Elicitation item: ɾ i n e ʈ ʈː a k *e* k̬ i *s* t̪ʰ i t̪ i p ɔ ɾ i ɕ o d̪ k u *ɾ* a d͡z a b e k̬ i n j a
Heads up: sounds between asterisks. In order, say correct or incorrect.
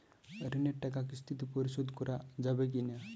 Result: incorrect, correct, correct

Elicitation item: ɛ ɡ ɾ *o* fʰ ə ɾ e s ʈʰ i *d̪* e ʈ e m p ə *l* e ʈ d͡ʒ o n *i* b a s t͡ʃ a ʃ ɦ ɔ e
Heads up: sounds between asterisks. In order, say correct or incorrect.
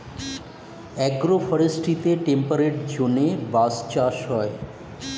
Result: correct, incorrect, incorrect, incorrect

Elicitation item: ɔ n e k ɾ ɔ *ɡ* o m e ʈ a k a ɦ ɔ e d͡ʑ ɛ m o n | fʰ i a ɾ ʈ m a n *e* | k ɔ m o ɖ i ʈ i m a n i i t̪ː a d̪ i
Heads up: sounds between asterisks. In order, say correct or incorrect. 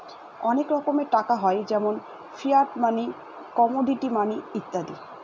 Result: incorrect, incorrect

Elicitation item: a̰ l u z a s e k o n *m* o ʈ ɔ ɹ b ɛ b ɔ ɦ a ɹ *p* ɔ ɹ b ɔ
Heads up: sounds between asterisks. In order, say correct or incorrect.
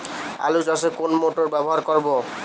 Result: correct, incorrect

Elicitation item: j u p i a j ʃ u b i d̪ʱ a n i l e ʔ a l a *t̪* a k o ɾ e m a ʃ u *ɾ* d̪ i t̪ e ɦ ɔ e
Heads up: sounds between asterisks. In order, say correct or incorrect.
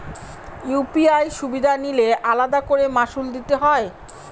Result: incorrect, incorrect

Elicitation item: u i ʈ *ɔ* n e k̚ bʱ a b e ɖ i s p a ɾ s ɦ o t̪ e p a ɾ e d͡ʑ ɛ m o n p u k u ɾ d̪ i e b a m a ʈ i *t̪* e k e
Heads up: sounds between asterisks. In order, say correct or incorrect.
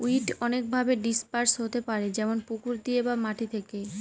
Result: correct, incorrect

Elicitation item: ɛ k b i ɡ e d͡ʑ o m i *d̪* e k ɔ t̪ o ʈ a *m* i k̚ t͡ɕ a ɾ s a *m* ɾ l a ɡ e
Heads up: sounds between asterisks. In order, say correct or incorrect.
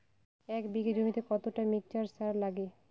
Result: incorrect, correct, incorrect

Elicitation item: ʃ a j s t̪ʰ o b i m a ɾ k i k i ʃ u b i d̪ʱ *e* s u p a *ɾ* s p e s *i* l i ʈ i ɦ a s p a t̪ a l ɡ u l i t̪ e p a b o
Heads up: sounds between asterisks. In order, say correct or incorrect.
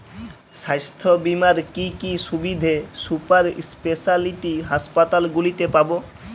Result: correct, correct, incorrect

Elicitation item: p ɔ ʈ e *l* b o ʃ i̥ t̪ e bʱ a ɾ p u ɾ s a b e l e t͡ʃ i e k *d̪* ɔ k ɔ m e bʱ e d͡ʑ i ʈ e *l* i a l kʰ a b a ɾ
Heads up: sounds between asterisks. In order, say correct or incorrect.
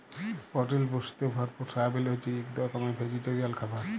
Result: correct, correct, incorrect

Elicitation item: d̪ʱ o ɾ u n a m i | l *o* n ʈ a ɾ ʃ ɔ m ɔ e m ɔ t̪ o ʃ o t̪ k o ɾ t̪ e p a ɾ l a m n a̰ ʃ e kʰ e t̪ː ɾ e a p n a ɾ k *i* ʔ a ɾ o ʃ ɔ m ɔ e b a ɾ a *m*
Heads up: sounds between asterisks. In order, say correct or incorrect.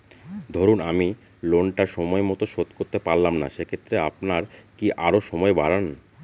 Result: correct, correct, incorrect

